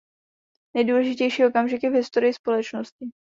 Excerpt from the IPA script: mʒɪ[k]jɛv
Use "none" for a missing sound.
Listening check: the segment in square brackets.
k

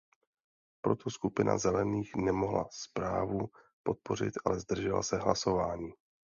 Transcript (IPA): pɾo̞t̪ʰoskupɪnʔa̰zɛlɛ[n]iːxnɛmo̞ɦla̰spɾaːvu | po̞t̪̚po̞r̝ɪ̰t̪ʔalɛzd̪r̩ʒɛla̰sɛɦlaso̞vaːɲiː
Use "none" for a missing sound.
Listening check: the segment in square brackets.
n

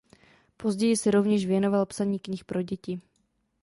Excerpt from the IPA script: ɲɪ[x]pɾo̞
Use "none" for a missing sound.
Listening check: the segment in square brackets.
x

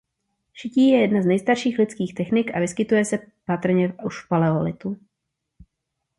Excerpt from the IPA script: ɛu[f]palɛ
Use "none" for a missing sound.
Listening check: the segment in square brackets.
ʃ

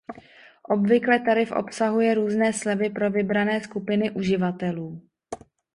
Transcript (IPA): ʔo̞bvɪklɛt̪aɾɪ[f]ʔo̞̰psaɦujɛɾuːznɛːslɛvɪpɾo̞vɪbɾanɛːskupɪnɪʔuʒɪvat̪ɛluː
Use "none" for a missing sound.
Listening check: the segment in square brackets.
f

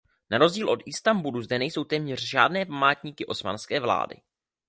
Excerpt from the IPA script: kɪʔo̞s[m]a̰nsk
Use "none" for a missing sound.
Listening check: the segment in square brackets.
m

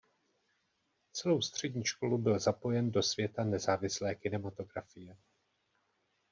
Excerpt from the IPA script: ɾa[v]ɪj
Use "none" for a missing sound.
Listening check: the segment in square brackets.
f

